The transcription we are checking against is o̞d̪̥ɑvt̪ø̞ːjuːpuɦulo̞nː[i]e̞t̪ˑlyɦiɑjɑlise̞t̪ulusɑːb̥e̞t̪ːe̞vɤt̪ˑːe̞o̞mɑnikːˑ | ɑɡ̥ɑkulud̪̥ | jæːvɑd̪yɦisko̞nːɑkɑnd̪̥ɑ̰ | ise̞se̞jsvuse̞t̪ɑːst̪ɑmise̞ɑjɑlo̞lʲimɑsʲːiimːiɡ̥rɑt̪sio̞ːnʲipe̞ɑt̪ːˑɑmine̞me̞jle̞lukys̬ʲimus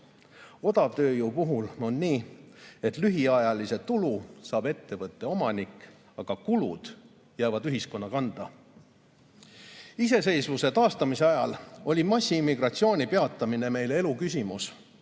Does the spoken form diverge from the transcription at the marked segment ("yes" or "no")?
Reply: yes